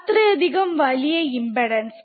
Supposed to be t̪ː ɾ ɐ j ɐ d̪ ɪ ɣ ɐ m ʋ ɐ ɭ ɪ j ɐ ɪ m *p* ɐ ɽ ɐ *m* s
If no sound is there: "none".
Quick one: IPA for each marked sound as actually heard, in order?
b, n

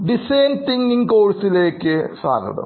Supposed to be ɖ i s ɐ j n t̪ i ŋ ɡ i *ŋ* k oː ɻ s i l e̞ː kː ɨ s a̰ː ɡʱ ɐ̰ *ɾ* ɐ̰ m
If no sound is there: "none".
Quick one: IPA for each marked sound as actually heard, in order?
ŋ, ɽ

